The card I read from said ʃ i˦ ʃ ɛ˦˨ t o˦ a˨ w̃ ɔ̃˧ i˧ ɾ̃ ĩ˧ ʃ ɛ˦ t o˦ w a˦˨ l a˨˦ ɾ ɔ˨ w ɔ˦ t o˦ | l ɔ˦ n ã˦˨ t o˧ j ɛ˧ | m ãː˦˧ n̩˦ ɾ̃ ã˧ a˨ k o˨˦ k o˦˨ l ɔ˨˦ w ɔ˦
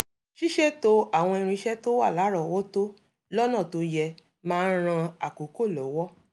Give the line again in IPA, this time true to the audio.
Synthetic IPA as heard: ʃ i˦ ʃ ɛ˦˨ t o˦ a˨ w̃ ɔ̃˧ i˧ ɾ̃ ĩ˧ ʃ ɛ˦ t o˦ w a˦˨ l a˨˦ ɾ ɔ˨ w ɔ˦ t o˦ | l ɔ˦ n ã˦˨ t o˧ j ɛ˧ | m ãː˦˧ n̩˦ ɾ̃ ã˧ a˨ k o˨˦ k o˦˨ l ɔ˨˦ w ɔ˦

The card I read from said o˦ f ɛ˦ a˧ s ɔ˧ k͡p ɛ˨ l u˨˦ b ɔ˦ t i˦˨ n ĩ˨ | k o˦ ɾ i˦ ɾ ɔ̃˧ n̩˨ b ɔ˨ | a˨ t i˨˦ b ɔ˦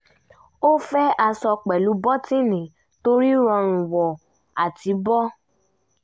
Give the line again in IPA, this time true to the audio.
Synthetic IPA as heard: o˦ f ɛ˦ a˧ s ɔ˧ k͡p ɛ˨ l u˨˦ b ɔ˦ t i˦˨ n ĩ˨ | t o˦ ɾ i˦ ɾ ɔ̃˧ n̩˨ w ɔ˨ | a˨ t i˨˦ b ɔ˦

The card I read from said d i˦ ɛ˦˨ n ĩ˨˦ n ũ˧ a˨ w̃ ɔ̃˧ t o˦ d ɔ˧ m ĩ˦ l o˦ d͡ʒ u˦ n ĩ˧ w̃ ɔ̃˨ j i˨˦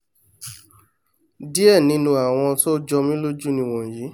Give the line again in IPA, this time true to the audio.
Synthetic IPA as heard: d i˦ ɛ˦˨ n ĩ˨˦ n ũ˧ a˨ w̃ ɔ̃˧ t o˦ d͡ʒ ɔ˧ m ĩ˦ l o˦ d͡ʒ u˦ n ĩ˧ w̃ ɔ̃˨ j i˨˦

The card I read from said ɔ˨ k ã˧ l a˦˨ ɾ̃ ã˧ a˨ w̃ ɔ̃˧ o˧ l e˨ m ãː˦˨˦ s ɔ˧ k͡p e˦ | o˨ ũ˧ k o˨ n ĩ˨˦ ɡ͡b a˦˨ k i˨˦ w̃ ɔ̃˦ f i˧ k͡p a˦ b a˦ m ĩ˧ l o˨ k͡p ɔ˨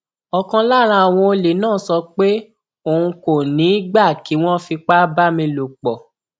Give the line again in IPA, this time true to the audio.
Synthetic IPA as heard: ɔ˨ k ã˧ l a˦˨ ɾ̃ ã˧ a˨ w̃ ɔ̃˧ o˧ l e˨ n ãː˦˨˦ s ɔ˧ k͡p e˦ | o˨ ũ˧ k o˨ n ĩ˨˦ ɡ͡b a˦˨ k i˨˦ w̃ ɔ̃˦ f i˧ k͡p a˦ b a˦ m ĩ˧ l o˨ k͡p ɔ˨

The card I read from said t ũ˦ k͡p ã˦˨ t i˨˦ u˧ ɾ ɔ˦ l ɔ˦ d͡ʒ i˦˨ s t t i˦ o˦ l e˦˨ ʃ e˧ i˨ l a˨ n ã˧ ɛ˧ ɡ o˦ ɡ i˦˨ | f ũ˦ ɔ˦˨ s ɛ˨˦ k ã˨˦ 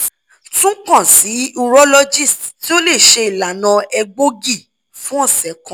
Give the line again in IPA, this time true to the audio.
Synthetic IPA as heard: t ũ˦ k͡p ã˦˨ s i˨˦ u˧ ɾ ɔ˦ l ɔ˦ d͡ʒ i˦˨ s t t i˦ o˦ l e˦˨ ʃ e˧ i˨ l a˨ n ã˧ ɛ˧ ɡ͡b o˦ ɡ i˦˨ | f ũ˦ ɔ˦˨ s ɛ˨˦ k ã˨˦

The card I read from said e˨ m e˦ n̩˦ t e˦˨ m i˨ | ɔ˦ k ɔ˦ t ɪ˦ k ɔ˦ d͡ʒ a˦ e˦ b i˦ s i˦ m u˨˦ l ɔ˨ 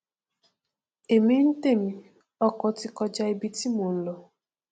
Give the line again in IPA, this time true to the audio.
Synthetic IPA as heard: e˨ m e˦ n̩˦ t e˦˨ m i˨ | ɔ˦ k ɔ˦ t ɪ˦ k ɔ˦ d͡ʒ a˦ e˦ b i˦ t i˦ m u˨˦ l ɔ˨

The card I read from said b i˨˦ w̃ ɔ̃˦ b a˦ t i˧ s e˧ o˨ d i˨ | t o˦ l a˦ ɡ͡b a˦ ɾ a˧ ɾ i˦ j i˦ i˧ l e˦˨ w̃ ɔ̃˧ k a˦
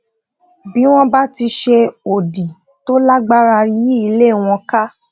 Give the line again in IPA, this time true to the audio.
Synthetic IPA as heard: b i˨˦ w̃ ɔ̃˦ b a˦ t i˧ ʃ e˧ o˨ d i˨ | t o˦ l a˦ ɡ͡b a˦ ɾ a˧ ɾ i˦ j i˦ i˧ l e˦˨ w̃ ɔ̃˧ k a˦

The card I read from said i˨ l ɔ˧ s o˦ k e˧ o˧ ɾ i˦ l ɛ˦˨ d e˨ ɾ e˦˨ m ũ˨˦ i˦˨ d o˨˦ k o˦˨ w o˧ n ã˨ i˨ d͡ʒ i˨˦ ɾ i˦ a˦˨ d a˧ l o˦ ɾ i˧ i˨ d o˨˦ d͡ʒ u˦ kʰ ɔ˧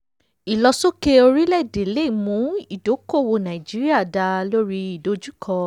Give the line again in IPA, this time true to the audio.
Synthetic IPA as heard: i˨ l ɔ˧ s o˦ k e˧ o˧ ɾ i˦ l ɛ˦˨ d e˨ l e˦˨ m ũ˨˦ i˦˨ d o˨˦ k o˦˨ w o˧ n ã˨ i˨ d͡ʒ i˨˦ ɾ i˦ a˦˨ d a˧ l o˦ ɾ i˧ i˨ d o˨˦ d͡ʒ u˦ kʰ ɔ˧

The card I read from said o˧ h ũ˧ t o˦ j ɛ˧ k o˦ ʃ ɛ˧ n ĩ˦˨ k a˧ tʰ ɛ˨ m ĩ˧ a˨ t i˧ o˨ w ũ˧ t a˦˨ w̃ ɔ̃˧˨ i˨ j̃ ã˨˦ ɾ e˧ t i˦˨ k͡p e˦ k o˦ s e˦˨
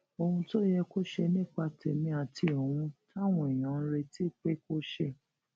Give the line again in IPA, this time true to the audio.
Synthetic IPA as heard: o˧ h ũ˧ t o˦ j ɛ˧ k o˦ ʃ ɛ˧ n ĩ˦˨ k͡p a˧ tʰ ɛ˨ m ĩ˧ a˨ t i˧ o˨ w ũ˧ t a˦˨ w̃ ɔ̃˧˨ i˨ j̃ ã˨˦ ɾ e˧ t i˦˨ k͡p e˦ k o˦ ʃ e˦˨

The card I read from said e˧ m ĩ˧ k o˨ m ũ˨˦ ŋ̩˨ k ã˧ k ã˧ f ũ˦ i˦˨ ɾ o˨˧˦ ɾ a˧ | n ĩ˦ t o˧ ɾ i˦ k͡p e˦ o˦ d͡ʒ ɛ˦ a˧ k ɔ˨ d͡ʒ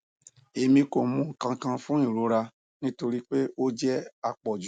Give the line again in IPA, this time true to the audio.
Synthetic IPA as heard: e˧ m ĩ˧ k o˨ m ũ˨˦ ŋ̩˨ k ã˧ k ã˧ f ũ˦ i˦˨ ɾ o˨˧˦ ɾ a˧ | n ĩ˦ t o˧ ɾ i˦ k͡p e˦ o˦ d͡ʒ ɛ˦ a˧ k͡p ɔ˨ d͡ʒ

